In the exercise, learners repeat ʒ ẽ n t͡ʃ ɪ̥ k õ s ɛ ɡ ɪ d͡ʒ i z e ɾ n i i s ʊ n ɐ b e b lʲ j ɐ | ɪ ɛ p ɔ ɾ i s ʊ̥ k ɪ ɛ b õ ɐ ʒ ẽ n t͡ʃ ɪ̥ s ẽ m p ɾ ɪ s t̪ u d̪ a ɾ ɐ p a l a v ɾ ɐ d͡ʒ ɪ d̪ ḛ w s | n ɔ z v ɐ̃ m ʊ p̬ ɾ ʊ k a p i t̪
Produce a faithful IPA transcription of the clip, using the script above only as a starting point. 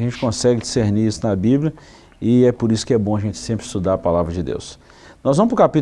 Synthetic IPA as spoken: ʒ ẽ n t͡ʃ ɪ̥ k õ s ɛ ɡ ɪ d͡ʒ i s e ɾ n i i s ʊ n ɐ b i b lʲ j ɐ | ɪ ɛ p o ɾ i s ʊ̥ k ɪ ɛ b õ ɐ ʒ ẽ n t͡ʃ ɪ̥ s ẽ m p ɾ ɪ s t̪ u d̪ a ɾ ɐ p a l a v ɾ ɐ d͡ʒ ɪ d̪ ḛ w s | n ɔ z v ɐ̃ m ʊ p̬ ɾ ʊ k a p i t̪

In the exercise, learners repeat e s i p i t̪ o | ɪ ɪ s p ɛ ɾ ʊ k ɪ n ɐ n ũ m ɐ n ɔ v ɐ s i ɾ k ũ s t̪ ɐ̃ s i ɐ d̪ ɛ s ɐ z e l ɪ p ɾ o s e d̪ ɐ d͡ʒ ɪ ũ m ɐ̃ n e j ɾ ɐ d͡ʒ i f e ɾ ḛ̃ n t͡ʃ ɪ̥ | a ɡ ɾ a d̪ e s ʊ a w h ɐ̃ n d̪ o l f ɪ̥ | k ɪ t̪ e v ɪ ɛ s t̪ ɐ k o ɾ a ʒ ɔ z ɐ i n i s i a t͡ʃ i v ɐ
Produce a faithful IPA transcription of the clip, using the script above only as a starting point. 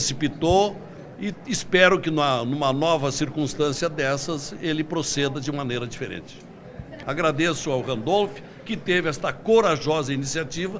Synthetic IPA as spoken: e s i p i t̪ o | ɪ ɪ s p ɛ ɾ ʊ k ɪ n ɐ n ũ m ɐ n ɔ v ɐ s i ɾ k ũ s t̪ ɐ̃ s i ɐ d̪ ɛ s ɐ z e l ɪ p ɾ o s e d̪ ɐ d͡ʒ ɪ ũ m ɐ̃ n e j ɾ ɐ d͡ʒ i f e ɾ ḛ̃ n t͡ʃ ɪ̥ | a ɡ ɾ a d̪ e s ʊ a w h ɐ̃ n d̪ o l f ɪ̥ | k ɪ t̪ e v ɪ ɛ s t̪ ɐ k o ɾ a ʒ ɔ z ɐ i n i s i a t͡ʃ i v ɐ

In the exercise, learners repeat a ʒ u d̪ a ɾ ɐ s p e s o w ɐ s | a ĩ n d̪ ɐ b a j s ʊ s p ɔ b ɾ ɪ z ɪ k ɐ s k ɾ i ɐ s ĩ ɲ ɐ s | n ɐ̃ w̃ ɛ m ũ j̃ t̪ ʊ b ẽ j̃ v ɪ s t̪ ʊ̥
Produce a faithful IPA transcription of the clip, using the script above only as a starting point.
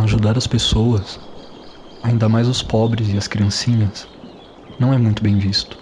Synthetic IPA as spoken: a ʒ u d̪ a ɾ ɐ s p e s o w ɐ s | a ĩ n d̪ ɐ m a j z ʊ s p ɔ b ɾ ɪ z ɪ ɐ s k ɾ i ɐ̃ s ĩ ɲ ɐ s | n ɐ̃ w̃ ɛ m ũ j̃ t̪ ʊ b ẽ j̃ v i s t̪ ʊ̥

